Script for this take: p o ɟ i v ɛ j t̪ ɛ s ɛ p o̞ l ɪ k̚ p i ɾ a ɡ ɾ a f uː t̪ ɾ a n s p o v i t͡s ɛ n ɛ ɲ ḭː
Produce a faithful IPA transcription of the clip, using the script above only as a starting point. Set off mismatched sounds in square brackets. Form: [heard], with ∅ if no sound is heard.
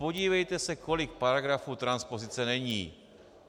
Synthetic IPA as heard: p o ɟ [iː] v ɛ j t̪ ɛ s ɛ [k] o̞ l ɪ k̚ p [a] ɾ a ɡ ɾ a f uː t̪ ɾ a n s p o [z] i t͡s ɛ n ɛ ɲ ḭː